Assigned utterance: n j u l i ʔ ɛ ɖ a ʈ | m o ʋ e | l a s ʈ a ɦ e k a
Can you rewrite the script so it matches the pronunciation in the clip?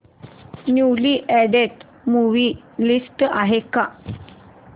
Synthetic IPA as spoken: n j u l i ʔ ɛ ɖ e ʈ | m u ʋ i | l i s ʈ a ɦ e k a